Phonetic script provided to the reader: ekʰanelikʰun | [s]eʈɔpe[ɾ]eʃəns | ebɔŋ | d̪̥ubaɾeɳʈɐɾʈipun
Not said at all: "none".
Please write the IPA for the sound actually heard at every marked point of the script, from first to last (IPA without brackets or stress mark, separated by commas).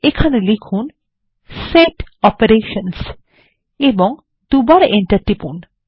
s, ɾ